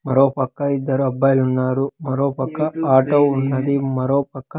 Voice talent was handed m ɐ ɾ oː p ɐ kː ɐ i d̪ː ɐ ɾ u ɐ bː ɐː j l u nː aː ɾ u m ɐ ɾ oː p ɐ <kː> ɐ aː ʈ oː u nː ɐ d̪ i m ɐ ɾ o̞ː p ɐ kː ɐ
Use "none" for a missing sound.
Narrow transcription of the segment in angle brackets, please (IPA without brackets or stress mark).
kː